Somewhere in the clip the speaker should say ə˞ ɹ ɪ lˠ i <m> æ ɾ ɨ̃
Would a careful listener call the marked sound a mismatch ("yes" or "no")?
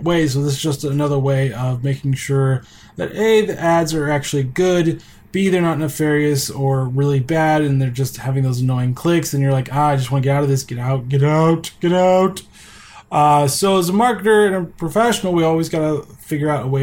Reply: yes